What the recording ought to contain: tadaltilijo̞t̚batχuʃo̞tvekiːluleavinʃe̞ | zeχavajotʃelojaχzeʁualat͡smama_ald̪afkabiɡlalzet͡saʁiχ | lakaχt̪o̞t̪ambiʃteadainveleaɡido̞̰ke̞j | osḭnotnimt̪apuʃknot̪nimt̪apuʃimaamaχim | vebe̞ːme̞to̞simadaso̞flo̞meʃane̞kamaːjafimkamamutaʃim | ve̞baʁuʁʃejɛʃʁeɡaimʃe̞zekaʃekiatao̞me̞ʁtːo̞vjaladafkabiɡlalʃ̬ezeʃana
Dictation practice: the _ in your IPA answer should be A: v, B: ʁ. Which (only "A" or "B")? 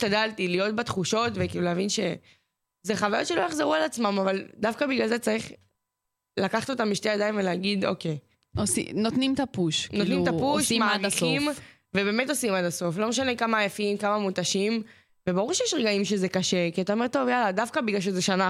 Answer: A